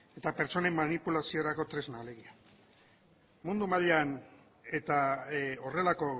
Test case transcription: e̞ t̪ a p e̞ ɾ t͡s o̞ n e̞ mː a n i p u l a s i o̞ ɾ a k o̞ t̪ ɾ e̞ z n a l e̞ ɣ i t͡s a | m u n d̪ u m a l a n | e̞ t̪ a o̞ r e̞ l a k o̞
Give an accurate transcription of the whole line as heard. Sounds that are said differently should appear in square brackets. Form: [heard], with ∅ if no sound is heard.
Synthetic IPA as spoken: e̞ t̪ a p e̞ ɾ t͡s o̞ n e̞ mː a n i p u l a s i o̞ ɾ a k o̞ t̪ ɾ e̞ z n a l e̞ ɣ i [∅] a | m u n d̪ u m a [ʎ] a n | e̞ t̪ a o̞ r e̞ l a k o̞